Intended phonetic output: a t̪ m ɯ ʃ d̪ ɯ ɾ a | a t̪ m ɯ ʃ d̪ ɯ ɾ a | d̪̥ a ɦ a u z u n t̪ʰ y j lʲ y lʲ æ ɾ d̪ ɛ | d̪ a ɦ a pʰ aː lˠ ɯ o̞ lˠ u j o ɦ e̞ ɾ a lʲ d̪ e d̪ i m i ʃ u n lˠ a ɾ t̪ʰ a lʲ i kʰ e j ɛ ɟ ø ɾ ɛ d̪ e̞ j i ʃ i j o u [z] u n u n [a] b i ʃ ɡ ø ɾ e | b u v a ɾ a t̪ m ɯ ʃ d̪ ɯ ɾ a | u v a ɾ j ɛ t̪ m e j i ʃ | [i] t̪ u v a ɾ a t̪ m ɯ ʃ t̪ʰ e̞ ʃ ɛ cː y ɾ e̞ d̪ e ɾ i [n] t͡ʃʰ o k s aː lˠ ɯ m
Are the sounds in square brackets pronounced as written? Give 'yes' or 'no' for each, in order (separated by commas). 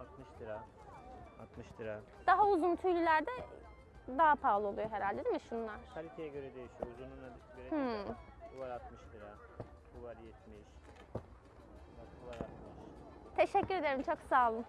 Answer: yes, yes, no, no